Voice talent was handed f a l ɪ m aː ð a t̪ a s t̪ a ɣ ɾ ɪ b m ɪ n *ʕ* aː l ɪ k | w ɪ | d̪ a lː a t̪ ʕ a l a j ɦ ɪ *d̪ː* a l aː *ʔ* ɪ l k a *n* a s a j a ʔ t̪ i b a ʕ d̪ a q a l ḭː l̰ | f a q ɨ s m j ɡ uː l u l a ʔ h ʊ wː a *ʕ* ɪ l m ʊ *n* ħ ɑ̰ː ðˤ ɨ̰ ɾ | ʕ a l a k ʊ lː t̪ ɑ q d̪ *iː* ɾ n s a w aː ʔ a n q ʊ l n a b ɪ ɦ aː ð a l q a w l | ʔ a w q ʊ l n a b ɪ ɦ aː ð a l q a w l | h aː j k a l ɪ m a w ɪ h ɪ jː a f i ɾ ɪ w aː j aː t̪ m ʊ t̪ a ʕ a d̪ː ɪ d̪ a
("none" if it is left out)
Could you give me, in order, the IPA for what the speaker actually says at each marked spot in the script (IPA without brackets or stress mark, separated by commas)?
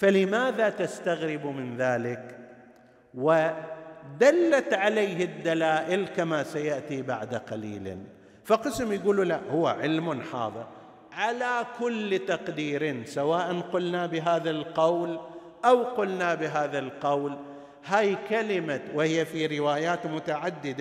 ð, d̪ː, ʔ, m, ʕ, n, iː